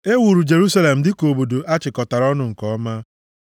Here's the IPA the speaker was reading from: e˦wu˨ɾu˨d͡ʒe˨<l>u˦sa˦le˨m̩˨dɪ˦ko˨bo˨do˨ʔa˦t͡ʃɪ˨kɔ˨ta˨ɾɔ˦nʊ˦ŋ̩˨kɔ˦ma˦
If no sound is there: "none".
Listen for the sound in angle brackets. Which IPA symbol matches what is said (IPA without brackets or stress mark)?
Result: ɾ